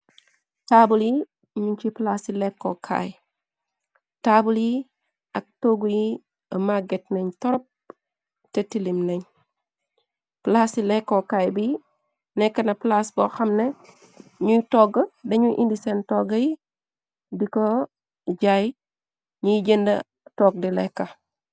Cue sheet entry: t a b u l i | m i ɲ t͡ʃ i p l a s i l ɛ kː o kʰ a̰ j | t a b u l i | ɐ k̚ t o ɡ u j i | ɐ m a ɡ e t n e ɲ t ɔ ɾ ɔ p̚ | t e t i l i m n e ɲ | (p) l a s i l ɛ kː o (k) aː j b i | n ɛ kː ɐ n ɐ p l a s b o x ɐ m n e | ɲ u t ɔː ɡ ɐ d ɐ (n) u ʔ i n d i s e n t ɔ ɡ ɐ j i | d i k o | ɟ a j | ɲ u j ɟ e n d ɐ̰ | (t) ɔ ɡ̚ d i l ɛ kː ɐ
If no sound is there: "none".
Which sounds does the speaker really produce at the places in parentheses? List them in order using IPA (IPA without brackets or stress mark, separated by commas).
p, k, ɲ, t